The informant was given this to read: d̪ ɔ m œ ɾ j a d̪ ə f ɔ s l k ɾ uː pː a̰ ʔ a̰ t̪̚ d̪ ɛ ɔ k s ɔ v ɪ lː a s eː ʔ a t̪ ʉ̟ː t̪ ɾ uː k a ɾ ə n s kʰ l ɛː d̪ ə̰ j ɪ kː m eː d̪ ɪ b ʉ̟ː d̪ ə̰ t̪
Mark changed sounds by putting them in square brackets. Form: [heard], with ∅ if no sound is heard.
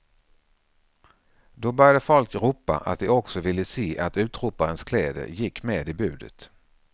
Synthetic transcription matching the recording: d̪ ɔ [b] œ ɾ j a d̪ ə f ɔ [∅] l k ɾ uː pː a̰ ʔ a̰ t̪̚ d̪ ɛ ɔ k s ɔ v ɪ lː [ə] s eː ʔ a t̪ ʉ̟ː t̪ ɾ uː [p] a ɾ ə n s kʰ l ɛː d̪ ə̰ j ɪ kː m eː d̪ ɪ b ʉ̟ː d̪ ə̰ t̪